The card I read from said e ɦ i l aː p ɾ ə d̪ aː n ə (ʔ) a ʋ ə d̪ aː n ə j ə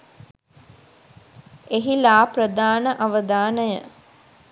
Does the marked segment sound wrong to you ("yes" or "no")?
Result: no